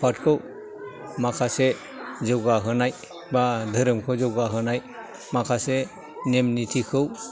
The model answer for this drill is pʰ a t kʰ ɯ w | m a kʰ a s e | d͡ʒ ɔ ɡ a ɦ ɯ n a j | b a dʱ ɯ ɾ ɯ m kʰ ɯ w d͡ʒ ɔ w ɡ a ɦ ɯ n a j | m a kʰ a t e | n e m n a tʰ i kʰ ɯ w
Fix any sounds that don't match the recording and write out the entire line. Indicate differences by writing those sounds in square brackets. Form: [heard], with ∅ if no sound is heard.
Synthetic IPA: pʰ a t kʰ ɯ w | m a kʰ a s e | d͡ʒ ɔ ɡ a ɦ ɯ n a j | b a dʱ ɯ ɾ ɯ m kʰ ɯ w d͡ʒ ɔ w ɡ a ɦ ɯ n a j | m a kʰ a [s] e | n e m n [i] tʰ i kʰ ɯ w